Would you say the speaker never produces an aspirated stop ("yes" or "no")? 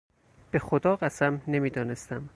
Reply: yes